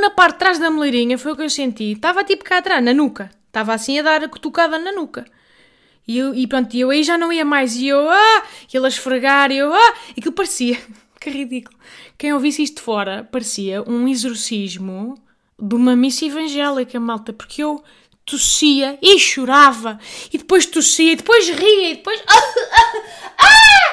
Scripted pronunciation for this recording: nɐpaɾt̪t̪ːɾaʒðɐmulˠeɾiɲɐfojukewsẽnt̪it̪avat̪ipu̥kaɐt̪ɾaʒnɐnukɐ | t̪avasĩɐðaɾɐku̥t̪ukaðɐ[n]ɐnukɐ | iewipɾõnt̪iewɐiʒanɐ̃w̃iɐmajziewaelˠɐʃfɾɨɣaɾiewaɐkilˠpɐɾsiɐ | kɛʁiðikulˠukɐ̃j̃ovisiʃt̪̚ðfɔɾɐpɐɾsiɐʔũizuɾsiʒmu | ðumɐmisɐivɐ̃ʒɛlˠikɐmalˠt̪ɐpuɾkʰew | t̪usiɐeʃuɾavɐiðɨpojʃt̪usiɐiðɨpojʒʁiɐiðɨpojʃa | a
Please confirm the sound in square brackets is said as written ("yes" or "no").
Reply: yes